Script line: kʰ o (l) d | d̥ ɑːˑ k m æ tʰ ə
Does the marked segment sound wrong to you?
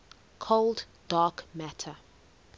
no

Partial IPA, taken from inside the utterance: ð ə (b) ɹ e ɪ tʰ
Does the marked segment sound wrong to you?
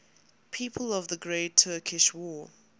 yes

